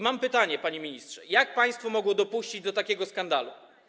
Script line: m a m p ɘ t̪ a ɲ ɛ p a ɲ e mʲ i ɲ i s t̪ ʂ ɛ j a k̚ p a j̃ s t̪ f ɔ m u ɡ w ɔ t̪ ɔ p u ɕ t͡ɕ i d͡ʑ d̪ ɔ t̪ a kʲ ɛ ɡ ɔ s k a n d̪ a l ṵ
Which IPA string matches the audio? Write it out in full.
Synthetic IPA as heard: m a m p ɘ t̪ a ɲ ɛ p a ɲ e mʲ i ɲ i s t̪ ʂ ɛ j a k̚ p a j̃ s t̪ f ɔ m ɔ ɡ w ɔ d̪ ɔ p u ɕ t͡ɕ i d͡ʑ d̪ ɔ t̪ a kʲ ɛ ɡ ɔ s k a n d̪ a l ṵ